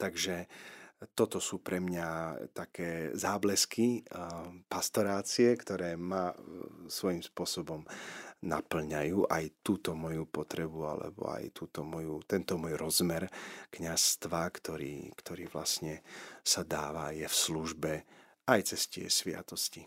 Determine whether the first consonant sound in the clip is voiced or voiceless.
voiceless